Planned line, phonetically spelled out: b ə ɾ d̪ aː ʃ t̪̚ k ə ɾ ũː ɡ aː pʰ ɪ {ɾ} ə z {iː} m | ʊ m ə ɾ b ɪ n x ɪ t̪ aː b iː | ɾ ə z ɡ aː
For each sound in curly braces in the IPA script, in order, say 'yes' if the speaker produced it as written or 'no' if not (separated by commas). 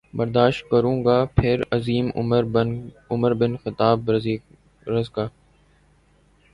yes, yes